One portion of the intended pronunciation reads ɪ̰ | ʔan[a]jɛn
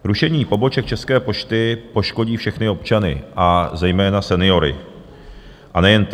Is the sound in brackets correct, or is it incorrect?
incorrect